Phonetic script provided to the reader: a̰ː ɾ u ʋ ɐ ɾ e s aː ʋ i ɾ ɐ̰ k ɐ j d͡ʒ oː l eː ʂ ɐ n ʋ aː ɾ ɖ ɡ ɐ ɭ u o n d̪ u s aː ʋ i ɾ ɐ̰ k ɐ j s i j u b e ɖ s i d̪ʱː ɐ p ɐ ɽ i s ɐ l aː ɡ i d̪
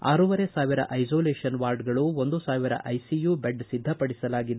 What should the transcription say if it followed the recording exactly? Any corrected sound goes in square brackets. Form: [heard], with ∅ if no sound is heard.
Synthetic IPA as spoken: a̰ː ɾ u ʋ ɐ ɾ e s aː ʋ i ɾ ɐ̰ [ʔ] ɐ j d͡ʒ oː l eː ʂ ɐ n ʋ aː ɾ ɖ ɡ ɐ ɭ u o n d̪ u s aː ʋ i ɾ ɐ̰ [ʔ] ɐ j s i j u b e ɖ s i d̪ʱː ɐ p ɐ ɽ i s ɐ l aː ɡ i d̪